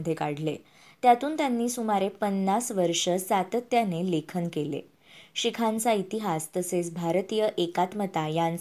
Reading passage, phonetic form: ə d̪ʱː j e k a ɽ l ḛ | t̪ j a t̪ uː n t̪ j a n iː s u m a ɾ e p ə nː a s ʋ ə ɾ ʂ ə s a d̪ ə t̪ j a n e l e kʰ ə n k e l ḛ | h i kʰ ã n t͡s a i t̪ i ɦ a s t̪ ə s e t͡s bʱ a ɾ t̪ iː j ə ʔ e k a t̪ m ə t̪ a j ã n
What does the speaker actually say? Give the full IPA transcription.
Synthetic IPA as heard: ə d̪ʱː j e k a ɽ l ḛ | t̪ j a t̪ uː n t̪ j a nː iː s u m a ɾ e p ə nː a s ʋ ə ɾ ʂ ə s a t̪ ə t̪ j a n e l e kʰ ə n k e l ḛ | ɕ i kʰ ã n t͡s a i t̪ i ɦ a s t̪ ə s e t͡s bʱ a ɾ t̪ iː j ə ʔ e k a t̪ m ə t̪ a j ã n